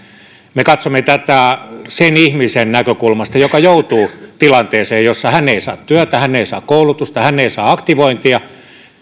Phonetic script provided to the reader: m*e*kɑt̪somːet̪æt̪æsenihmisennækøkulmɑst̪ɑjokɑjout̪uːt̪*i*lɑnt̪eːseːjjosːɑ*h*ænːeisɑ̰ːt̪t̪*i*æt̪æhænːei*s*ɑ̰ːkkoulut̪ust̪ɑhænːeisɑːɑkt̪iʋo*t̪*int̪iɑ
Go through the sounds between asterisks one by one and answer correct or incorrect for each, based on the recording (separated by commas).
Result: correct, correct, correct, incorrect, correct, incorrect